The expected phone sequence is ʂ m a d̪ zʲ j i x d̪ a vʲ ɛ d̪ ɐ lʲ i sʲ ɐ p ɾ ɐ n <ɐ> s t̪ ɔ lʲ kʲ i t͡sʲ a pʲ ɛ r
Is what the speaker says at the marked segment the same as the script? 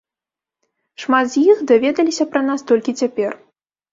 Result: no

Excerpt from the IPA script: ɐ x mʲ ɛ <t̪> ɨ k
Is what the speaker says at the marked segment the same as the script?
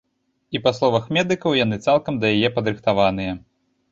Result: no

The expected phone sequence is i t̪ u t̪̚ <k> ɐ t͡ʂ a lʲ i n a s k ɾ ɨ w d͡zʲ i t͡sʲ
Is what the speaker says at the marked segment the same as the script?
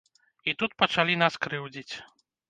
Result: no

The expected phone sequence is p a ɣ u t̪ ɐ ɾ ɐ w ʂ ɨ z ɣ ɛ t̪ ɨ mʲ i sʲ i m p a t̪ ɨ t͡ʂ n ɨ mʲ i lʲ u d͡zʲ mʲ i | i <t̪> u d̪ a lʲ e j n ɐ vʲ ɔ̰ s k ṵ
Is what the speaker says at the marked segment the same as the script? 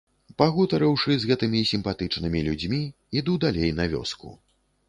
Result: no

